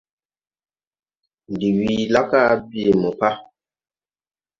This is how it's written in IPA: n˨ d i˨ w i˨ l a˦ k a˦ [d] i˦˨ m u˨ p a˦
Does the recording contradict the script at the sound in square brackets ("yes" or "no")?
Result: yes